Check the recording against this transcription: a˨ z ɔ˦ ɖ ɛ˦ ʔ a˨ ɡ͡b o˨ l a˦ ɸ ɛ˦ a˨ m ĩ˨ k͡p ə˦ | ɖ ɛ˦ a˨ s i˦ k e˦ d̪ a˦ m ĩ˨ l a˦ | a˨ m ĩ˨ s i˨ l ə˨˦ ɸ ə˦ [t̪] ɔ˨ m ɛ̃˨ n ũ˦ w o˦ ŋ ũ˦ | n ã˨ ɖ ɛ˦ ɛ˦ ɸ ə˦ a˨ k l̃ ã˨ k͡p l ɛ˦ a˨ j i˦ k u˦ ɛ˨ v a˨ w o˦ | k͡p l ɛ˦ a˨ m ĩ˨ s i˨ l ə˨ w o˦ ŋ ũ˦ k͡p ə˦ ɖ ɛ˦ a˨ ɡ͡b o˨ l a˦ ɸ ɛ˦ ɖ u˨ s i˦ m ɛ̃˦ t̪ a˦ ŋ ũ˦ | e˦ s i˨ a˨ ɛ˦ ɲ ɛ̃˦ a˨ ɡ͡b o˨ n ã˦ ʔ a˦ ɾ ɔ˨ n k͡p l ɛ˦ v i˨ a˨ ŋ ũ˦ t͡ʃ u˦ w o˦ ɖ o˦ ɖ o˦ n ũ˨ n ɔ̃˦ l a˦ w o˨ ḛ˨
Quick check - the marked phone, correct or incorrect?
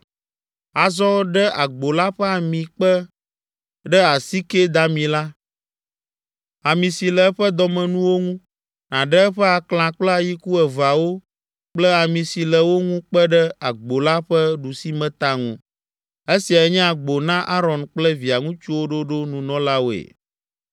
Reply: incorrect